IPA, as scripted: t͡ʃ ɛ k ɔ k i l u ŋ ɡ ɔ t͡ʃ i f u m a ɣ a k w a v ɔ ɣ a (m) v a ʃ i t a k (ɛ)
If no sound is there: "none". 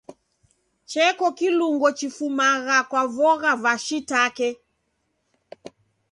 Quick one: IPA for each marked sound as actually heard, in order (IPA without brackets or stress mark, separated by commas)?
none, ɛ